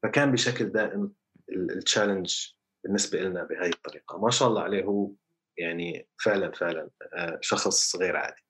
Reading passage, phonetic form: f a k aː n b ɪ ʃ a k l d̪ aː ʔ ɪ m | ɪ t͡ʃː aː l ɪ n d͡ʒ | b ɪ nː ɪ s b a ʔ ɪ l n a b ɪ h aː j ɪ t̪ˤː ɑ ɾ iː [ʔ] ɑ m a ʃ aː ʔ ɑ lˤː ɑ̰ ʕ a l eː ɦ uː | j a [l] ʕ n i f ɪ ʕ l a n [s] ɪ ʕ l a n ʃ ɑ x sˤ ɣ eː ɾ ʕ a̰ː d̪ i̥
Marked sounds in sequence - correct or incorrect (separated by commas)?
incorrect, incorrect, incorrect